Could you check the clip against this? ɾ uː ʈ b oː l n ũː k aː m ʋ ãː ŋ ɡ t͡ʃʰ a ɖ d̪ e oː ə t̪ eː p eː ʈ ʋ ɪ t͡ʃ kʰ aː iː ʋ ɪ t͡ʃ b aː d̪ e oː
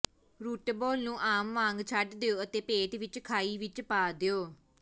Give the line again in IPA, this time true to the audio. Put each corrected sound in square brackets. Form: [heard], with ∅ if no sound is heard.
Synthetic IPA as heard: ɾ uː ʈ b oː l n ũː [ʔ] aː m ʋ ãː ŋ ɡ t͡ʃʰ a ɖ d̪ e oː ə t̪ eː p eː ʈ ʋ ɪ t͡ʃ kʰ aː iː ʋ ɪ t͡ʃ [p] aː d̪ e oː

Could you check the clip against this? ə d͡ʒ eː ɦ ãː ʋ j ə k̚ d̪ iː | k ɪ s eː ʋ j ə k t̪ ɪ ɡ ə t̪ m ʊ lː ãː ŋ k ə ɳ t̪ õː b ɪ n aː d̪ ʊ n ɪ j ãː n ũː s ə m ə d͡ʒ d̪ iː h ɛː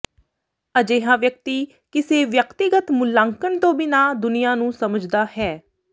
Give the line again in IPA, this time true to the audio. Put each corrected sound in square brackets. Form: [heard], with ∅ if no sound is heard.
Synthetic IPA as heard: ə d͡ʒ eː ɦ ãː ʋ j ə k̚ [t̪] iː | k ɪ s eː ʋ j ə k t̪ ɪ ɡ ə t̪ m ʊ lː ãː ŋ k ə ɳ t̪ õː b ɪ n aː d̪ ʊ n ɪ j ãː n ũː s ə m ə d͡ʒ d̪ [aː] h ɛː

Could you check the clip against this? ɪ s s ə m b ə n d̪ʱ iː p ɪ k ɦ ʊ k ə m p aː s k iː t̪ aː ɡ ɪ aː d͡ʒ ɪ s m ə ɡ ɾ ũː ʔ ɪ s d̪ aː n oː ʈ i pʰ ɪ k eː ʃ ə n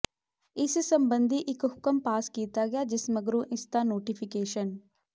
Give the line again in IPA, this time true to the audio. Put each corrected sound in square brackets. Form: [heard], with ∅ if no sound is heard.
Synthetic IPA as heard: ɪ s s ə m b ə n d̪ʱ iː [ʔ] ɪ k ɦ ʊ k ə m p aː s k iː t̪ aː ɡ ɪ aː d͡ʒ ɪ s m ə ɡ ɾ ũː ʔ ɪ s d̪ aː n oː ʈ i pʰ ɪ k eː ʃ ə n

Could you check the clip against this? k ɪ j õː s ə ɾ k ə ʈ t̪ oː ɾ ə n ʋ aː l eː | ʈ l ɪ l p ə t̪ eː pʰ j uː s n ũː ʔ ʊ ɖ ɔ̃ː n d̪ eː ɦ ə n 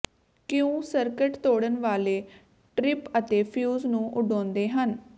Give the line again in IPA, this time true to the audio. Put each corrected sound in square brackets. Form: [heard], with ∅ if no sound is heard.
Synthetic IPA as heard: k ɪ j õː s ə ɾ k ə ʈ t̪ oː [ɽ] ə n ʋ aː l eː | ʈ [ɾ] ɪ [∅] p ə t̪ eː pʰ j uː [z] n ũː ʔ ʊ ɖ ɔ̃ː n d̪ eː ɦ ə n

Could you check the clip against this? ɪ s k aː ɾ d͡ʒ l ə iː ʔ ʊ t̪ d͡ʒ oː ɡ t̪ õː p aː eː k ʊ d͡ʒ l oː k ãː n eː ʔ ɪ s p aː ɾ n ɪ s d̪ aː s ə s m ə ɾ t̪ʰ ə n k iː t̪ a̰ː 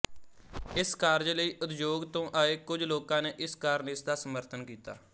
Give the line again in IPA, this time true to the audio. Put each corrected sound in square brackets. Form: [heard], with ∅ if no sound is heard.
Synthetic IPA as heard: ɪ s k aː ɾ d͡ʒ l ə iː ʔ ʊ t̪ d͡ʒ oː ɡ t̪ õː [ʔ] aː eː k ʊ d͡ʒ l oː k ãː n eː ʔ ɪ s [k] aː ɾ n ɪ s d̪ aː s ə [∅] m ə ɾ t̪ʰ ə n k iː t̪ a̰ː

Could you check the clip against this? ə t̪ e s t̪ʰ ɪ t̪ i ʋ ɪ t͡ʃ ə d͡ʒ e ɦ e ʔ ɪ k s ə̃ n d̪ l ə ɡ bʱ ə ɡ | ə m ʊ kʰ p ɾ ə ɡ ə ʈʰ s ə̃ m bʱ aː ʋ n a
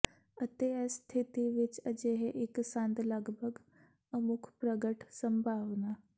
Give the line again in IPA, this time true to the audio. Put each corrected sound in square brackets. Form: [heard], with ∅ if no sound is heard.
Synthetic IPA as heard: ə t̪ e s t̪ʰ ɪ t̪ i ʋ ɪ t͡ʃ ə d͡ʒ e ɦ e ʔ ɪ k s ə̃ n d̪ l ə ɡ bʱ ə ɡ | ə m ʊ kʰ p ɾ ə ɡ ə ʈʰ s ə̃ m bʱ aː ʋ n a

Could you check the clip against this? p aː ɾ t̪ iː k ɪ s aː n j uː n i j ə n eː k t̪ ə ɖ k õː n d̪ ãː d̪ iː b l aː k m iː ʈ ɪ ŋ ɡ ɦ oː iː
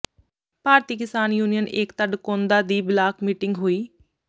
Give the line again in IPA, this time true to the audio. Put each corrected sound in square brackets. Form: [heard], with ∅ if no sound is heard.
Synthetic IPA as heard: p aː ɾ t̪ iː k ɪ s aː n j uː n i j ə n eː k t̪ ə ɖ k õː n d̪ [aː] d̪ iː b l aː k m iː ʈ ɪ ŋ ɡ ɦ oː iː

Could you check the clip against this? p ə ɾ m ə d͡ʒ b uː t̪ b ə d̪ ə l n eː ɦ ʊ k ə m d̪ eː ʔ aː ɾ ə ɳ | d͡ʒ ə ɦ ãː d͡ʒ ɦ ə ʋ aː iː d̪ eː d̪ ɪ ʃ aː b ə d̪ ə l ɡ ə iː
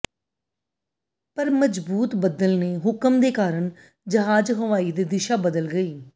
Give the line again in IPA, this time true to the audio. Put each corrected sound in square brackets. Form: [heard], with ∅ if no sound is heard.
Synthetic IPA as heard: p ə ɾ m ə d͡ʒ b uː t̪ b ə d̪ ə l n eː ɦ ʊ k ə m d̪ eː [k] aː ɾ ə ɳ | d͡ʒ ə ɦ [aː] d͡ʒ ɦ ə ʋ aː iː d̪ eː d̪ ɪ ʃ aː b ə d̪ ə l ɡ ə iː

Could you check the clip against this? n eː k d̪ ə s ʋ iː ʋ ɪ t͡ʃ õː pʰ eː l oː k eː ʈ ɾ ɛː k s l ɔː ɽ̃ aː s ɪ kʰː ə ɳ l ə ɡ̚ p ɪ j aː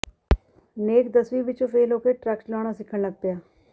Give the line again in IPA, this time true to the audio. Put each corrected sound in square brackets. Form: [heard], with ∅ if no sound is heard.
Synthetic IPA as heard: n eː k d̪ ə s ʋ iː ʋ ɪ t͡ʃ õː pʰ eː l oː k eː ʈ ɾ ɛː k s l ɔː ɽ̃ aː s ɪ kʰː ə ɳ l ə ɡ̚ p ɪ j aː

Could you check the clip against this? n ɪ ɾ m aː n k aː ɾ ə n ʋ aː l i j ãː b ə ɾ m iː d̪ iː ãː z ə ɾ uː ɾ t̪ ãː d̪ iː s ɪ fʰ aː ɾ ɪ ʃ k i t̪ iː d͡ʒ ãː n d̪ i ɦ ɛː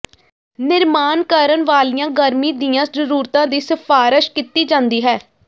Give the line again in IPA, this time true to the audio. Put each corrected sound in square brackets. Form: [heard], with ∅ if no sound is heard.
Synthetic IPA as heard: n ɪ ɾ m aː n k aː ɾ ə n ʋ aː l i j ãː [ɡ] ə ɾ m iː d̪ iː ãː z ə ɾ uː ɾ t̪ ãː d̪ iː s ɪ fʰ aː ɾ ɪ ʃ k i t̪ iː d͡ʒ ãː n d̪ [iː] ɦ ɛː

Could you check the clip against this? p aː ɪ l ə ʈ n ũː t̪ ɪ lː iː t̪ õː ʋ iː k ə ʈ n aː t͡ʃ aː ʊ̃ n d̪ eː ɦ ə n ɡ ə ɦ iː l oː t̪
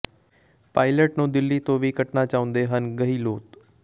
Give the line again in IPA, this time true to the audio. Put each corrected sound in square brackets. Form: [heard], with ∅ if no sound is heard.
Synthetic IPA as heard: p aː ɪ l ə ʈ n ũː [d̪] ɪ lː iː t̪ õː ʋ iː k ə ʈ n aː t͡ʃ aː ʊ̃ n d̪ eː ɦ ə n ɡ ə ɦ iː l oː t̪

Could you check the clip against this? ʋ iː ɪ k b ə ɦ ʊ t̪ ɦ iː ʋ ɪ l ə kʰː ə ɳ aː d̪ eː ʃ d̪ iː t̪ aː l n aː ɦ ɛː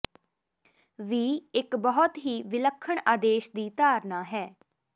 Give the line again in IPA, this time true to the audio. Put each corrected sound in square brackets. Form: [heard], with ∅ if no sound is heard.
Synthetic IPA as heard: ʋ iː ɪ k b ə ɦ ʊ t̪ ɦ iː ʋ ɪ l ə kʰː ə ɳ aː d̪ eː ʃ d̪ iː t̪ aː [ɾ] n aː ɦ ɛː

